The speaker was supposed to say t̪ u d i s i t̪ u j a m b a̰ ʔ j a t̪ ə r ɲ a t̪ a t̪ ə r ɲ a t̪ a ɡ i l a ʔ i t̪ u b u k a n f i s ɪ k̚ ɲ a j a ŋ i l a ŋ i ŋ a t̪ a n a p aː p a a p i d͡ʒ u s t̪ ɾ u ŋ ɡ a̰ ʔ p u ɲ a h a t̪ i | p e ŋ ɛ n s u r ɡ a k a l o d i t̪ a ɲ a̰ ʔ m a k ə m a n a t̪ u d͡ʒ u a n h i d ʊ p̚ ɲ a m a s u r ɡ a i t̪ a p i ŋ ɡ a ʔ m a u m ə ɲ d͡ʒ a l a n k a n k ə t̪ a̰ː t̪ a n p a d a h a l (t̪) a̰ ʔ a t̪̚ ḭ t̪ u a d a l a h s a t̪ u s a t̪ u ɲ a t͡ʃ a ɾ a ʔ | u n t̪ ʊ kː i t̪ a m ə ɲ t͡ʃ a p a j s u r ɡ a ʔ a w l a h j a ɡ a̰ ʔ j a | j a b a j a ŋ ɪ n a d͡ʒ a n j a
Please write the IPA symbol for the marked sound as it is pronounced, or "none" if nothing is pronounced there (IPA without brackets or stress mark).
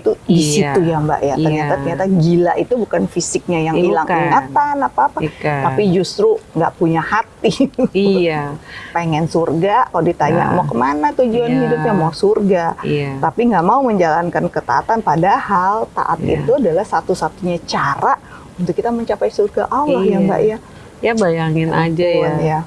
t̪